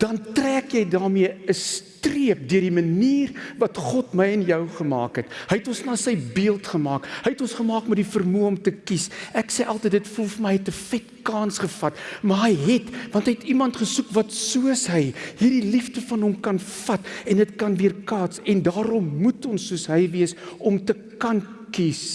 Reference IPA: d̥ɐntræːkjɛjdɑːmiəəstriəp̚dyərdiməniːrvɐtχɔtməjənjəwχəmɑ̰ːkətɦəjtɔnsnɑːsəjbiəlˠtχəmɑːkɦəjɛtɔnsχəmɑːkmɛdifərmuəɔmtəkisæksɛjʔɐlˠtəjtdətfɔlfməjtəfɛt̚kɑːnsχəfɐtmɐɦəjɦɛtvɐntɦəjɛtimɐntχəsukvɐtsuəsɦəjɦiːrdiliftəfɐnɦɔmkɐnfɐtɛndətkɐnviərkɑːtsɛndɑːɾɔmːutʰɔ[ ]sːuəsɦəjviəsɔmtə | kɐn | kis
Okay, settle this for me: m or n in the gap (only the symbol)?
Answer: n